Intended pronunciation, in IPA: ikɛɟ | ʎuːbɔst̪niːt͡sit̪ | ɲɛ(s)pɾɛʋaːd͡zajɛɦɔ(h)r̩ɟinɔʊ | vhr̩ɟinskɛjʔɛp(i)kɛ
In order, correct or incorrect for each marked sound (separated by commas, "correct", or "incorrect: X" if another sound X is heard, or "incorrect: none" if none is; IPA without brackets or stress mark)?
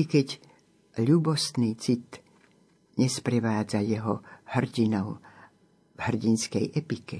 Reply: correct, correct, correct